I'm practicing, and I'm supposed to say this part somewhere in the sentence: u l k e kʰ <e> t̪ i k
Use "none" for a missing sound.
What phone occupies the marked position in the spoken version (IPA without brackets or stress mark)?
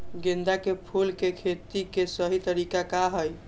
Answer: e